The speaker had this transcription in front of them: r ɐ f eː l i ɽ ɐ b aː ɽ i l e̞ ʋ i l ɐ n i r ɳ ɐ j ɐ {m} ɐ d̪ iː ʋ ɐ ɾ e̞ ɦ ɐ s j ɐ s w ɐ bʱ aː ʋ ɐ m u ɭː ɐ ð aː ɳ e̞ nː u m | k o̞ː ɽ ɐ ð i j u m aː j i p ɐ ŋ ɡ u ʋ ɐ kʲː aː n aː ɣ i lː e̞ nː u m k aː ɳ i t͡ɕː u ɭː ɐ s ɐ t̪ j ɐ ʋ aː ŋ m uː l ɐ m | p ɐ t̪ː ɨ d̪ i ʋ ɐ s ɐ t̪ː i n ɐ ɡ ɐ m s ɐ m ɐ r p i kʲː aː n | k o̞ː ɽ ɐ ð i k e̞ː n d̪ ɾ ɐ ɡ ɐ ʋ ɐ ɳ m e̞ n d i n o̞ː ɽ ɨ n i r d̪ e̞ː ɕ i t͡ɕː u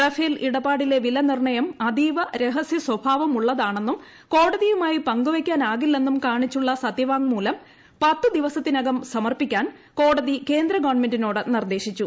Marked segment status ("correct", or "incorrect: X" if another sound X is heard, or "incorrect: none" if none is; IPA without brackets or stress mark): correct